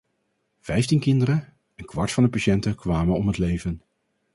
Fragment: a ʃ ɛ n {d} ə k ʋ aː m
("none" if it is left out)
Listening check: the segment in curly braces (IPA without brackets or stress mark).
t